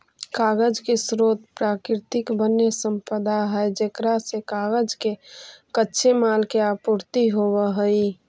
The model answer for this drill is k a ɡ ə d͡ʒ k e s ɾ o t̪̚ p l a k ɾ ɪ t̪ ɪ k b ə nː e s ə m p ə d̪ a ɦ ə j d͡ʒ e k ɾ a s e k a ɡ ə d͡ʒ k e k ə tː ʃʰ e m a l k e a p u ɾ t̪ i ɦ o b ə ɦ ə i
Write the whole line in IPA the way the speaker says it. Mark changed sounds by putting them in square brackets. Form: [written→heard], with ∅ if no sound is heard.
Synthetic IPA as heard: k a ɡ ə d͡ʒ k e s ɾ o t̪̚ p [l→ɾ] a k ɾ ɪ t̪ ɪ k b ə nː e s ə m p ə d̪ a ɦ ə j d͡ʒ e k ɾ a s e k a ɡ ə d͡ʒ k e k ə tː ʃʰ e m a l k e a p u ɾ t̪ i ɦ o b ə ɦ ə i